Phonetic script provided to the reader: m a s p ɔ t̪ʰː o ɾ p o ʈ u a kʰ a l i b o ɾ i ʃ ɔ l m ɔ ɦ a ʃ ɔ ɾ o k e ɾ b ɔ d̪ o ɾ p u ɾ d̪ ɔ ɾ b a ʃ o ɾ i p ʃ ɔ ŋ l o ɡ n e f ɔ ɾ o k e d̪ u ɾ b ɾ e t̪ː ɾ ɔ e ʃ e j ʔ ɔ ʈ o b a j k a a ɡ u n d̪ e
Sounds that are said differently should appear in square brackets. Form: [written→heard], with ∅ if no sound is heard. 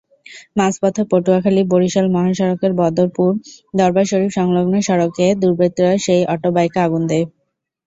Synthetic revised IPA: m a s p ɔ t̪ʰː o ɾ p o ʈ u a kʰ a l i b o ɾ i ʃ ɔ l m ɔ ɦ a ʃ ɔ ɾ o k e ɾ b ɔ d̪ o ɾ p u ɾ d̪ ɔ ɾ b a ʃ o ɾ i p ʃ ɔ ŋ l o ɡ n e [f→ʃ] ɔ ɾ o k e d̪ u ɾ b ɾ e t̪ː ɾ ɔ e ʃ e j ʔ ɔ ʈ o b a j k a a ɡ u n d̪ e

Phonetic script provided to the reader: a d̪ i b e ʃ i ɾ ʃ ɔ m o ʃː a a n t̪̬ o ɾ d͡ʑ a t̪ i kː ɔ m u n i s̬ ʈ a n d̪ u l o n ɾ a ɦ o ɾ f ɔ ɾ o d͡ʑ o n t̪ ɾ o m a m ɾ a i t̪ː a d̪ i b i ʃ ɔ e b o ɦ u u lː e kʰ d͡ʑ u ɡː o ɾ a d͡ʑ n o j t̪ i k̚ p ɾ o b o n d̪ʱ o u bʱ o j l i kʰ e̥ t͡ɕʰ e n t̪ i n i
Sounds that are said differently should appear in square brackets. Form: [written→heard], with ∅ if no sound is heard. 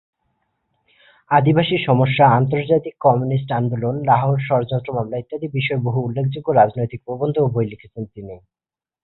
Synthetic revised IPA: a d̪ i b [e→a] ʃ i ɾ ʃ ɔ m o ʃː a a n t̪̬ o ɾ d͡ʑ a t̪ i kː ɔ m u n i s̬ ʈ a n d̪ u l o n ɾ a ɦ o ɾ [f→ʃ] ɔ ɾ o d͡ʑ o n t̪ ɾ o m a m [ɾ→l] a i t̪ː a d̪ i b i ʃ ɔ e b o ɦ u u lː e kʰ d͡ʑ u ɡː o ɾ a d͡ʑ n o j t̪ i k̚ p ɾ o b o n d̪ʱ o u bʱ o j l i kʰ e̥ t͡ɕʰ e n t̪ i n i

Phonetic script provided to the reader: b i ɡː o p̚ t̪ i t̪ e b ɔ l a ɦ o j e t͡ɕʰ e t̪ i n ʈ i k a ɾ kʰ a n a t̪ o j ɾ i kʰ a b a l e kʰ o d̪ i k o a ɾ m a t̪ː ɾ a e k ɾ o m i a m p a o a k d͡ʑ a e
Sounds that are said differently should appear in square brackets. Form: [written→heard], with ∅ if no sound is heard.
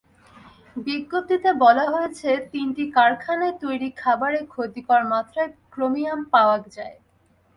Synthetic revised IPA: b i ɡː o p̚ t̪ i t̪ e b ɔ l a ɦ o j e t͡ɕʰ e t̪ i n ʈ i k a ɾ kʰ a n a t̪ o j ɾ i kʰ a b a [l→ɾ] e kʰ o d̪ i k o a ɾ m a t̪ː ɾ a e k ɾ o m i a m p a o a k d͡ʑ a e

